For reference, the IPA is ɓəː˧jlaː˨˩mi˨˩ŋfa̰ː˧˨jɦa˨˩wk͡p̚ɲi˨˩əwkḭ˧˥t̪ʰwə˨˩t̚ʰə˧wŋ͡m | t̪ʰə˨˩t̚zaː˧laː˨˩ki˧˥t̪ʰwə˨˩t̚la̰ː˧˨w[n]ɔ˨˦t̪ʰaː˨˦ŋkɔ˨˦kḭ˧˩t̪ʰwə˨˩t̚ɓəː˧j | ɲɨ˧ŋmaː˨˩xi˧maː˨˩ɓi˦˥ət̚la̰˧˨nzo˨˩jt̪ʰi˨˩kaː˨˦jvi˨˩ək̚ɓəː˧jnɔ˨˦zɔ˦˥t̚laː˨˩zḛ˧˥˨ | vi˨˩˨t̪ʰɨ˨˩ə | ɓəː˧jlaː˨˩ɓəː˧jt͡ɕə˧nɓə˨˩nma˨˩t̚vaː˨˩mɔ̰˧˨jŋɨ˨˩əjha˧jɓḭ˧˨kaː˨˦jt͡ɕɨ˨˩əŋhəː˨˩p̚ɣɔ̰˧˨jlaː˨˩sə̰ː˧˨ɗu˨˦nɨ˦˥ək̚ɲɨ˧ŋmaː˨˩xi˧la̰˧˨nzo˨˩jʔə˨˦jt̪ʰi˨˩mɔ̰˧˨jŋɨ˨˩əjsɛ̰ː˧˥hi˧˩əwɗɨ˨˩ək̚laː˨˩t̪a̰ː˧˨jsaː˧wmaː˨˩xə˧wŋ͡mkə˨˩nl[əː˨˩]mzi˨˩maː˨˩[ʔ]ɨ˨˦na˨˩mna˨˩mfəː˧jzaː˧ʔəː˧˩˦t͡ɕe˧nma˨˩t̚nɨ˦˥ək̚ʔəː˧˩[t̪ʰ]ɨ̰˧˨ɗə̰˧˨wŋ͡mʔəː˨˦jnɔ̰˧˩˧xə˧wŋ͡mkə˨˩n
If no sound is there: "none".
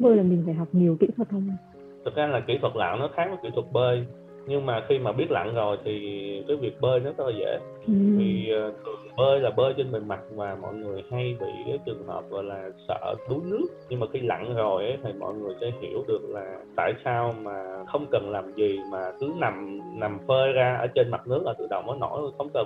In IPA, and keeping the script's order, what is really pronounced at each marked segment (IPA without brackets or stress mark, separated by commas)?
n, aː˨˩, k, t̪